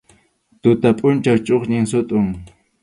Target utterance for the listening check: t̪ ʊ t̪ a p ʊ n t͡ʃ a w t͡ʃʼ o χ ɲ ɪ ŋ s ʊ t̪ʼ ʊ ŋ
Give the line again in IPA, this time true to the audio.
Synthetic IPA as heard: t̪ ʊ t̪ a pʼ ʊ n t͡ʃ a w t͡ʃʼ o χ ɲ ɪ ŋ s ʊ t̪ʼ ʊ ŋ